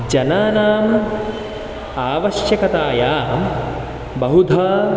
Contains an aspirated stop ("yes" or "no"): no